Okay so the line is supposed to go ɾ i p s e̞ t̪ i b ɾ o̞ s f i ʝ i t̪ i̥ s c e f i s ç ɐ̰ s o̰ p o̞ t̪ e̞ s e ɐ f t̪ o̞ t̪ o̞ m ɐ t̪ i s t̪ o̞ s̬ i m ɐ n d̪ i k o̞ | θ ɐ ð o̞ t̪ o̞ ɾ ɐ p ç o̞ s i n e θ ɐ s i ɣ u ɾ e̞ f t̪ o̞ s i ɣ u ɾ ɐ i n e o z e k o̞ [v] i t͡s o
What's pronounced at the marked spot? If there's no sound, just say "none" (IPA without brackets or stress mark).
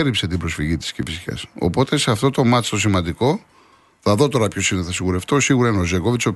v